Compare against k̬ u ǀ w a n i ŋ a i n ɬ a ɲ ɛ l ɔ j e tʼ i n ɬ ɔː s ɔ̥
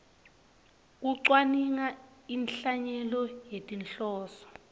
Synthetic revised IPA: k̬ u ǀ w a n i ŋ a i n ɬ a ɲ ɛ l ɔ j e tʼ i n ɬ ɔː s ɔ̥